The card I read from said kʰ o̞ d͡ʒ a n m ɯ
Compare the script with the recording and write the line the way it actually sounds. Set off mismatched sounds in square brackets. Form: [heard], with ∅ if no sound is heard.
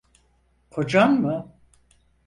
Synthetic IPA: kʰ o̞ d͡ʒ a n m ɯ